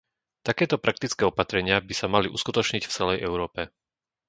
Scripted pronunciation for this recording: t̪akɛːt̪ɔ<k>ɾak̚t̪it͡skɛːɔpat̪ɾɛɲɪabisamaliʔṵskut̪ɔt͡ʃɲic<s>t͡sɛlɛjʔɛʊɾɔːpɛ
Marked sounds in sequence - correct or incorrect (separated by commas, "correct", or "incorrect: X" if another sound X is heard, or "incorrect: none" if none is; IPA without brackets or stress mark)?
incorrect: p, incorrect: f